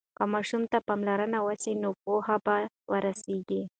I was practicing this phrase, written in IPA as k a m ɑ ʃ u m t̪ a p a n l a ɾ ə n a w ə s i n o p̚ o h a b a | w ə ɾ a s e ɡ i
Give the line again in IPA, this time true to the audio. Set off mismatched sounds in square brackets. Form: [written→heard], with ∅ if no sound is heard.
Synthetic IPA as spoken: k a m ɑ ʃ u m t̪ a p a [n→m] l a ɾ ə n a w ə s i n o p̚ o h a b a | w ə ɾ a s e ɡ i